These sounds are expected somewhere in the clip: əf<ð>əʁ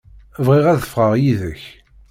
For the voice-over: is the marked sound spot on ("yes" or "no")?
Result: no